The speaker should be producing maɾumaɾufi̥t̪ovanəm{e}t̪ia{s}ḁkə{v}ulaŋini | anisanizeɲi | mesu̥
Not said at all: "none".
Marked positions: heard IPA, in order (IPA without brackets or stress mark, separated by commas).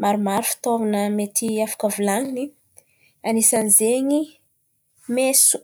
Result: e, f, v